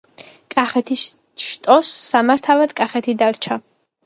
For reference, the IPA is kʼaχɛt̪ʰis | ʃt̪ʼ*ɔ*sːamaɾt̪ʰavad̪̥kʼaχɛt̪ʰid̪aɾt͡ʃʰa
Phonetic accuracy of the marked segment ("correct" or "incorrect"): correct